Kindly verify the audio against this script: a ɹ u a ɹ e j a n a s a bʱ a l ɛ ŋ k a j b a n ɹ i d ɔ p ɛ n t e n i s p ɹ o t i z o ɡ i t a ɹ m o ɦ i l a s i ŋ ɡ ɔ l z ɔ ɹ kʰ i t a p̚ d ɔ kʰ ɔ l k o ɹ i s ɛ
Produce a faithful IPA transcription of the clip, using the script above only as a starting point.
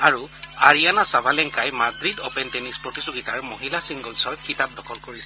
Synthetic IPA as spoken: a ɹ u a ɹ i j a n a s a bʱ a l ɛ ŋ k a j m a d ɹ i d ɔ p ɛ n t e n i s p ɹ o t i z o ɡ i t a ɹ m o ɦ i l a s i ŋ ɡ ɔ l s ɔ ɹ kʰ i t a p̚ d ɔ kʰ ɔ l k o ɹ i s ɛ